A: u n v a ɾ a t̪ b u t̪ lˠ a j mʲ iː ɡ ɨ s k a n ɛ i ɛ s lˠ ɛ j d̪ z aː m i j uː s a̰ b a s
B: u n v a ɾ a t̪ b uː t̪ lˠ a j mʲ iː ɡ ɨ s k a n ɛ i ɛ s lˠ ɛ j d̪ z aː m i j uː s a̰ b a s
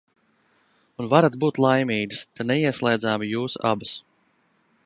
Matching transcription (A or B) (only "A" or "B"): B